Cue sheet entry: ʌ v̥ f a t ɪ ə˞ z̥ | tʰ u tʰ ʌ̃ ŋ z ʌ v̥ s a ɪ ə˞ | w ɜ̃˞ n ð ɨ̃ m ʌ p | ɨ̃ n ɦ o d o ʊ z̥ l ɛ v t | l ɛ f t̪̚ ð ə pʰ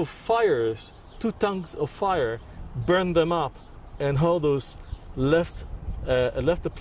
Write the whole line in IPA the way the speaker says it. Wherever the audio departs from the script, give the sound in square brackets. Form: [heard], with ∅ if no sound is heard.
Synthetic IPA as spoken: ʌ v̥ f a [∅] ɪ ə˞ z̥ | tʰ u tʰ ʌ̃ ŋ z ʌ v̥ [f] a ɪ ə˞ | [b] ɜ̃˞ n ð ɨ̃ m ʌ p | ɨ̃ n ɦ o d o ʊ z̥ l ɛ [f] t | l ɛ f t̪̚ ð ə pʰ